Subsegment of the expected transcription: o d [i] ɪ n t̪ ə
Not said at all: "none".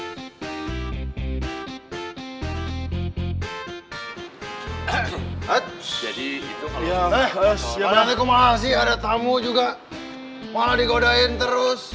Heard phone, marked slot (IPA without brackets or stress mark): a